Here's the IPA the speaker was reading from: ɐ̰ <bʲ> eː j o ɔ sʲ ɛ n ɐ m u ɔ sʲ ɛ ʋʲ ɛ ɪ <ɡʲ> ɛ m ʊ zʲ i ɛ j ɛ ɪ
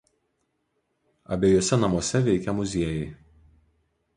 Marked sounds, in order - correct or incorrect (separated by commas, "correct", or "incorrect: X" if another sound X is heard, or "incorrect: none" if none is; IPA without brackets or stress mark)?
correct, incorrect: kʲ